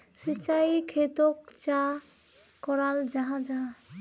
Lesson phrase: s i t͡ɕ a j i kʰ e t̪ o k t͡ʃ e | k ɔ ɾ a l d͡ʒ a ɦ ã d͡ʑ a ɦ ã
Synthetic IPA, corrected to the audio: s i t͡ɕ a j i kʰ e t̪ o k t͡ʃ a | k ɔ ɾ a l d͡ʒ a ɦ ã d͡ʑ a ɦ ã

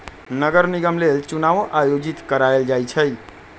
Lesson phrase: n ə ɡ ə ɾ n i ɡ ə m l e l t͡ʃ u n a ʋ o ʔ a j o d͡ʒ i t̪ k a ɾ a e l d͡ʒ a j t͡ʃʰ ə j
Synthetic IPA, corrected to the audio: n ə ɡ ə ɾ n i ɡ ə m l e l t͡ʃ u n a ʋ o ʔ a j o d͡ʒ i t̪ k ə ɾ a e l d͡ʒ a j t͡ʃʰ ə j

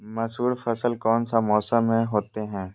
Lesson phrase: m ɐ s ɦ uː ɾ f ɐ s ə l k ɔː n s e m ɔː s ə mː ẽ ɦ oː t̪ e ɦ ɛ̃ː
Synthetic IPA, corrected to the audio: m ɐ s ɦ uː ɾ f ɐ s ə l k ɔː n s a m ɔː s ə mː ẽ ɦ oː t̪ e ɦ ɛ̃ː

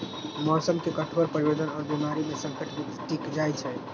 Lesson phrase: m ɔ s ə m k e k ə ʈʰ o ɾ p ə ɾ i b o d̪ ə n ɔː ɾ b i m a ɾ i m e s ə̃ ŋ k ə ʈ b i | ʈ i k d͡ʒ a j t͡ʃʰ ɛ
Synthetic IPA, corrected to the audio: m ɔ s ə m k e k ə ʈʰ o ɾ p ə ɾ i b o d̪ ə n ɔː ɾ b i m a ɾ i m e s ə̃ ŋ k ə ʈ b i | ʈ i k d͡ʒ a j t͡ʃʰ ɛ

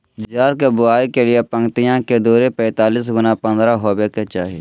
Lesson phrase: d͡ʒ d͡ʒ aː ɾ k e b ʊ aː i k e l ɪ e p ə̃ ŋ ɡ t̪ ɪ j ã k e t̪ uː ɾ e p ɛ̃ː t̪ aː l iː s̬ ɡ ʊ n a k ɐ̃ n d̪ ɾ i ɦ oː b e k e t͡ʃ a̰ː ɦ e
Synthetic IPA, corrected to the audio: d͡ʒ d͡ʒ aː ɾ k e b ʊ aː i k e l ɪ e p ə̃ ŋ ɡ t̪ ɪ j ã k e d̪ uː ɾ e p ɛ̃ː t̪ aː l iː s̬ ɡ ʊ n a p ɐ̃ n d̪ ɾ a ɦ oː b e k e t͡ʃ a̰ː ɦ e

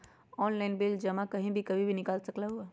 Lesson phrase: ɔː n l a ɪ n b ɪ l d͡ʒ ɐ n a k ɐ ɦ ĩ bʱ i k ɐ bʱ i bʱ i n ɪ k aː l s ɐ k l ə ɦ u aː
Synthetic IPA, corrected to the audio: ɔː n l a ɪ n b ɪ l d͡ʒ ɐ m a k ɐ ɦ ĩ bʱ i k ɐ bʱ i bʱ i n ɪ k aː l s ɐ k l a ɦ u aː

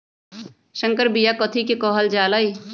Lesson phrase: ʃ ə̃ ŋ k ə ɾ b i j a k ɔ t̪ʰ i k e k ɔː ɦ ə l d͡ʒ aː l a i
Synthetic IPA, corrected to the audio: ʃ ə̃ ŋ k ə ɾ b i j a k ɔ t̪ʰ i k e k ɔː ɦ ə l d͡ʒ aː l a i

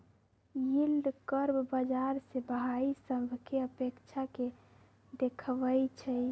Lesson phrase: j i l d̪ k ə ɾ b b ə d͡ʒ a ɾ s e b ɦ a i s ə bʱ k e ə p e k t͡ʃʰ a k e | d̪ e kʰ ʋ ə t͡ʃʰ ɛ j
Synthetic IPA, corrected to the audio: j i l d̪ k ə ɾ b b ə d͡ʒ a ɾ s e b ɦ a i s ə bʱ k e ə p e k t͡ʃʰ a k e | d̪ e kʰ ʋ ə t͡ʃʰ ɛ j

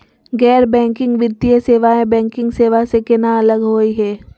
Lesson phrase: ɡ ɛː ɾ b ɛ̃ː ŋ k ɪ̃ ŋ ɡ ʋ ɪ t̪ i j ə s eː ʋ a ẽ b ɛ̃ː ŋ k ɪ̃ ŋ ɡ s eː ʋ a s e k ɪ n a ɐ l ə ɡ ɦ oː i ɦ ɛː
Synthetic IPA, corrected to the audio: ɡ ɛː ɾ b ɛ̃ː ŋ k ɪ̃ ŋ ɡ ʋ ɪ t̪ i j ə s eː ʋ a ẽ b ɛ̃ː ŋ k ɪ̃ ŋ ɡ s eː ʋ a s e k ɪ n a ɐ l ə ɡ ɦ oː i ɦ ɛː

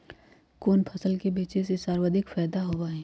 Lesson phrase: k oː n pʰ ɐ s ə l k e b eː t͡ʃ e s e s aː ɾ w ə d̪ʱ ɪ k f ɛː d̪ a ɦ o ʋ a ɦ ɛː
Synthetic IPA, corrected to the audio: k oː n pʰ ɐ s ə l k e b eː t͡ʃ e s e s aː ɾ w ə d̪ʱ ɪ k f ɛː d̪ a ɦ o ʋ a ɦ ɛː

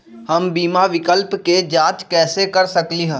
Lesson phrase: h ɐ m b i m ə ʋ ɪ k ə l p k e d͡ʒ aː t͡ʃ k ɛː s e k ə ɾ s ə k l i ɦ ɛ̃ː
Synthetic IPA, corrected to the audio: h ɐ m b iː m a ʋ ɪ k ə l p k e d͡ʒ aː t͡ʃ k ɛː s e k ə ɾ s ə k l i ɦ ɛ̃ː

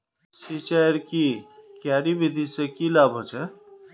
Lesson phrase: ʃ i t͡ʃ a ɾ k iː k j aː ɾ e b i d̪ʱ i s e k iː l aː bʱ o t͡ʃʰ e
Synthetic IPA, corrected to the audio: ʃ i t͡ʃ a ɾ k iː k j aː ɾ i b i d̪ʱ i s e k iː l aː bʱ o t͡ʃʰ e

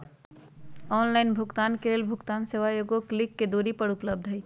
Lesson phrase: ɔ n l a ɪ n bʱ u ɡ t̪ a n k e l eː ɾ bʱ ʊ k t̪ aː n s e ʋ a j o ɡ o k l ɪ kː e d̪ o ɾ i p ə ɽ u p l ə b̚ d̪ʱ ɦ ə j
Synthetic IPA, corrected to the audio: ɔ n l a ɪ n bʱ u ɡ t̪ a n k e l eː l bʱ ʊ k t̪ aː n s e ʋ a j o ɡ o k l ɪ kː e d̪ o ɾ i p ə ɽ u p l ə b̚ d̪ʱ ɦ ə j

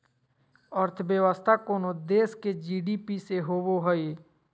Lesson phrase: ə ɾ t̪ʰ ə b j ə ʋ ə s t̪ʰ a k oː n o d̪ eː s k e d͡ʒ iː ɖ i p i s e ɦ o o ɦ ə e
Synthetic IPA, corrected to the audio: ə ɾ t̪ʰ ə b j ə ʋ ə s t̪ʰ a k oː n o d̪ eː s k e d͡ʒ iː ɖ i p i s e ɦ o o ɦ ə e

